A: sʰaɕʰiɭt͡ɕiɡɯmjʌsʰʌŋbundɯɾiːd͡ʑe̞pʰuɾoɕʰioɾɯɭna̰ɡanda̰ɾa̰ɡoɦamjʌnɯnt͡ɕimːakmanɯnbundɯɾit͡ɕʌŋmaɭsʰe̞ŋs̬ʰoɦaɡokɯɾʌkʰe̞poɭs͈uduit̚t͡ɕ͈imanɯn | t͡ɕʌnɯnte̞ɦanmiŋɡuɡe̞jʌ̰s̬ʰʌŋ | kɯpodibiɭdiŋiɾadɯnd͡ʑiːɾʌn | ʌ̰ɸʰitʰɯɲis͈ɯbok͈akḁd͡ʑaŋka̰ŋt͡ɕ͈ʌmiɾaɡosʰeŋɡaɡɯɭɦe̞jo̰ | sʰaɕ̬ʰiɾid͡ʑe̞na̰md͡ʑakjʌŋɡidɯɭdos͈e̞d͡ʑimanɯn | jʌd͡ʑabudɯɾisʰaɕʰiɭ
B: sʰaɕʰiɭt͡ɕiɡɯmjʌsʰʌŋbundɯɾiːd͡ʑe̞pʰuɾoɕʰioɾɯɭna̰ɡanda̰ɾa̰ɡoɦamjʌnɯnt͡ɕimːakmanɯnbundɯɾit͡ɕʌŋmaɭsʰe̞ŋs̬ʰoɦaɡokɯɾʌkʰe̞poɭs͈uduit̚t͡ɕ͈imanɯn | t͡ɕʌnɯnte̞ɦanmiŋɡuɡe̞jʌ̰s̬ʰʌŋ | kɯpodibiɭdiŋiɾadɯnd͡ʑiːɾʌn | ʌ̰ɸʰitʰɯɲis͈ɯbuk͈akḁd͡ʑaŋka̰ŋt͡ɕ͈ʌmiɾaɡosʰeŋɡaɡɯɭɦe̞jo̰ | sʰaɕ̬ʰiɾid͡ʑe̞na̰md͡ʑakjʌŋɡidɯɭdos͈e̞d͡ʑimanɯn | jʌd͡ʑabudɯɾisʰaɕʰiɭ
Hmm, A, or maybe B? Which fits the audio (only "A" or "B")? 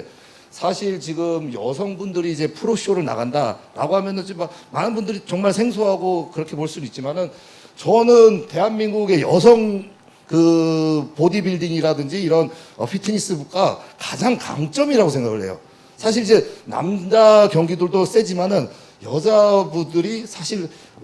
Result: B